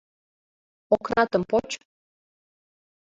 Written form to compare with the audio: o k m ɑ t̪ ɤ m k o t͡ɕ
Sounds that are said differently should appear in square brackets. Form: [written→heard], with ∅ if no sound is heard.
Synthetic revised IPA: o k [m→n] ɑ t̪ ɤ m [k→p] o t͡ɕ